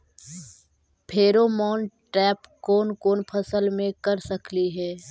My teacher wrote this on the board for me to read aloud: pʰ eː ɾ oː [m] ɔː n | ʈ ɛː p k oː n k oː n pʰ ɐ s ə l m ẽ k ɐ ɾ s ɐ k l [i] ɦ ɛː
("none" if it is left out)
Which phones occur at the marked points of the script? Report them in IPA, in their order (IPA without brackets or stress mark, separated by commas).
m, i